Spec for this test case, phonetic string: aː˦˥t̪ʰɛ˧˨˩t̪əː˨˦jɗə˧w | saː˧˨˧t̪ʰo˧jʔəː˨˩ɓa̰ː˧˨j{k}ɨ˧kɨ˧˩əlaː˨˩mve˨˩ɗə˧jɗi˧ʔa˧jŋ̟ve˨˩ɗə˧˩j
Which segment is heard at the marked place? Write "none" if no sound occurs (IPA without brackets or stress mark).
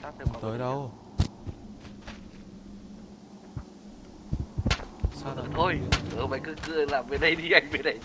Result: k